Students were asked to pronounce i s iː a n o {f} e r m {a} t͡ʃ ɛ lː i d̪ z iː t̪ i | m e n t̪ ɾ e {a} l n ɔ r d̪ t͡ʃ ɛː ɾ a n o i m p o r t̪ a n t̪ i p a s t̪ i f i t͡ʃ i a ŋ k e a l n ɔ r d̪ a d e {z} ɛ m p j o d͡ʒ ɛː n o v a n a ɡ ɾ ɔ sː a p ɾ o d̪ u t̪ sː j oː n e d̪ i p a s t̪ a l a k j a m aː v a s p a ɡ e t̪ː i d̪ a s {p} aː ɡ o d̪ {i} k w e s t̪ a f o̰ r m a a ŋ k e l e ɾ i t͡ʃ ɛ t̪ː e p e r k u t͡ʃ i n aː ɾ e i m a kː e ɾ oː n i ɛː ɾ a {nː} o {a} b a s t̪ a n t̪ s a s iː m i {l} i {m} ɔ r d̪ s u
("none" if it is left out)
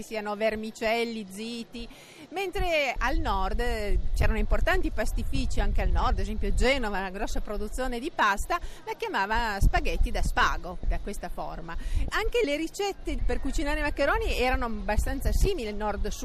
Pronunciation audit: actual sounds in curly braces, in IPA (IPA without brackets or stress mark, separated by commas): v, i, a, z, p, a, n, a, l, n